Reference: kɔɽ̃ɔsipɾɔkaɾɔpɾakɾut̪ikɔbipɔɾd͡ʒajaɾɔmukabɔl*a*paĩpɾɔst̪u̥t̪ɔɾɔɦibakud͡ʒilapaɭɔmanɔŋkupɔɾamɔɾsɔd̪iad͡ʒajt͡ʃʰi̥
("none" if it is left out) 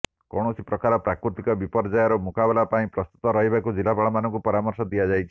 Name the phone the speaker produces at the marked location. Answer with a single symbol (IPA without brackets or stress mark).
a